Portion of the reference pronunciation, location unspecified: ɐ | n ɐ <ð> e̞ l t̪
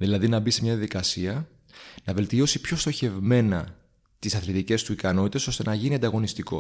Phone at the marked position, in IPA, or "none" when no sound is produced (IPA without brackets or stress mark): v